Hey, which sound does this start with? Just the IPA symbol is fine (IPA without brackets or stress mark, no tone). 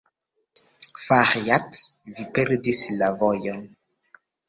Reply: f